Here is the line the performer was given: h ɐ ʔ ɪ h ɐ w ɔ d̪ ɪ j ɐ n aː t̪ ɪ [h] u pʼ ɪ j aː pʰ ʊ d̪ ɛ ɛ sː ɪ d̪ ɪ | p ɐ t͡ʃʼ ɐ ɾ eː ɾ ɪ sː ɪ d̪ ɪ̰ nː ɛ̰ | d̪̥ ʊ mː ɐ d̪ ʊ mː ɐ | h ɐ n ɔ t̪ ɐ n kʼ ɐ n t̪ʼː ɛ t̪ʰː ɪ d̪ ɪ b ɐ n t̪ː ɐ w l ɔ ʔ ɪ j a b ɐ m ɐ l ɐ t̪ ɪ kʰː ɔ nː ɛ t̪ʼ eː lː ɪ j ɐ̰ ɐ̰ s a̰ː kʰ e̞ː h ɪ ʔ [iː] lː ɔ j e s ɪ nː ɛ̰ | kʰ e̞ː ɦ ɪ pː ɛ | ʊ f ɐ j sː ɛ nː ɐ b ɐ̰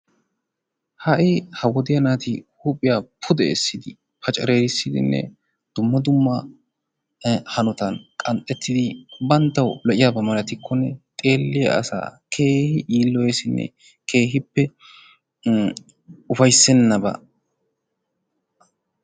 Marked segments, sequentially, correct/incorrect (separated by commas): correct, correct